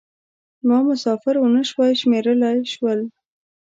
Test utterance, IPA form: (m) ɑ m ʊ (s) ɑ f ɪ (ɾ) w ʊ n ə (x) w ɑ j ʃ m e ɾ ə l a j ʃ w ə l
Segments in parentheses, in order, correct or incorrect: correct, correct, correct, incorrect: ʃ

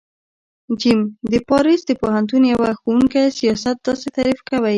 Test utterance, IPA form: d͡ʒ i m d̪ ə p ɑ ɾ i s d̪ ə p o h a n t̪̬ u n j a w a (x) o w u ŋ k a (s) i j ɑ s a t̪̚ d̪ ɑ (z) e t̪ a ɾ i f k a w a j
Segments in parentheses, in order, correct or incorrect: correct, correct, incorrect: s

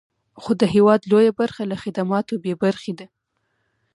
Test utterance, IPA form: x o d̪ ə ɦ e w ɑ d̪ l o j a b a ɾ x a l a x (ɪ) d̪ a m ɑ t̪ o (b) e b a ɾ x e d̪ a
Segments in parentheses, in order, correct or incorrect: correct, correct

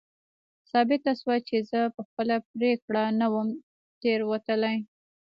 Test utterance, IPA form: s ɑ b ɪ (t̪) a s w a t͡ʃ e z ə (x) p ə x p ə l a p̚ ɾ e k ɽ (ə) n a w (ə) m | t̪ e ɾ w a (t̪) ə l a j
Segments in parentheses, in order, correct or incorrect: correct, incorrect: none, incorrect: a, correct, correct

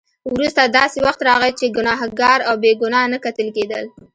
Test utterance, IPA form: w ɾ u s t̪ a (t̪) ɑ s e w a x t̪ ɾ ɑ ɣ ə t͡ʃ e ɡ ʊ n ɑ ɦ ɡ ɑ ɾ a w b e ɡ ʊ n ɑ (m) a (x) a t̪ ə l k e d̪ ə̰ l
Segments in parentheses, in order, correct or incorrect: incorrect: d̪, incorrect: n, incorrect: k

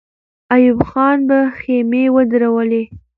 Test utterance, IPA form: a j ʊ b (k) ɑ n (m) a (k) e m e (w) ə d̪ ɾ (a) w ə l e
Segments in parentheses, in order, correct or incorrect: incorrect: x, incorrect: b, incorrect: x, correct, correct

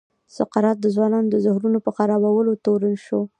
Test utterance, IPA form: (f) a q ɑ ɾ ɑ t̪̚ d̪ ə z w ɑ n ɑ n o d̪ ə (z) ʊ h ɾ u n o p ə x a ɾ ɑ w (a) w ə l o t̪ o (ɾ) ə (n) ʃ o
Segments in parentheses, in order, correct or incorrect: incorrect: s, correct, correct, correct, correct

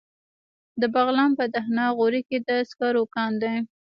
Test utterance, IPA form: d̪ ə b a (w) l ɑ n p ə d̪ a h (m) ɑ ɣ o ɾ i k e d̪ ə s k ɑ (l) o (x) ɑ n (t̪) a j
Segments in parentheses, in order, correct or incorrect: incorrect: ɣ, incorrect: n, incorrect: ɾ, incorrect: k, incorrect: d̪

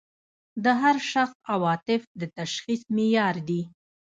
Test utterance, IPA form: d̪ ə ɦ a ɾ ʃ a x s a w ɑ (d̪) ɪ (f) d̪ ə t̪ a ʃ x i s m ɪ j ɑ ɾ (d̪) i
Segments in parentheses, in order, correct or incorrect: incorrect: t̪, correct, correct

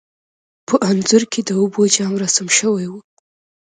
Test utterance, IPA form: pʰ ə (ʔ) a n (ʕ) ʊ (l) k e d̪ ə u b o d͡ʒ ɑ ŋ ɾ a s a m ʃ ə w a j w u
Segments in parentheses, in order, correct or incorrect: correct, incorrect: z, incorrect: ɾ

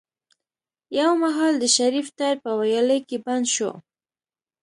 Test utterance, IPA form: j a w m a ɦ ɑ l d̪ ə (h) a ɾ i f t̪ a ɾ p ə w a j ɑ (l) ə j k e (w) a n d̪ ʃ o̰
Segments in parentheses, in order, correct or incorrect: incorrect: ʃ, correct, incorrect: b

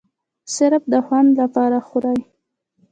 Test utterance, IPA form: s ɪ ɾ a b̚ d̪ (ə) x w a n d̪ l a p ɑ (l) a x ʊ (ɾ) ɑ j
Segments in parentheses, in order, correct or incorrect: correct, incorrect: ɾ, correct

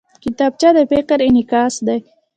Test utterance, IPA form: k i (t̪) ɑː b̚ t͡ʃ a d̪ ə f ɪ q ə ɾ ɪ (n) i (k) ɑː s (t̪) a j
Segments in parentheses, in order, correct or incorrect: correct, correct, correct, incorrect: d̪

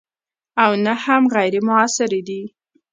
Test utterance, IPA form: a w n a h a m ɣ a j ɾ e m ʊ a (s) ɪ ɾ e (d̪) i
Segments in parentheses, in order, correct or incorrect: correct, correct

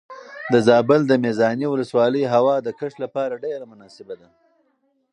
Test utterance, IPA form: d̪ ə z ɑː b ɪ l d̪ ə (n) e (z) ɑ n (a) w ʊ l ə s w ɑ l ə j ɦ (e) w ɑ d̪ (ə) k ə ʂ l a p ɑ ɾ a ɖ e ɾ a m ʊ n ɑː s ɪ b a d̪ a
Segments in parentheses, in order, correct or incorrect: incorrect: m, correct, incorrect: i, incorrect: a, correct

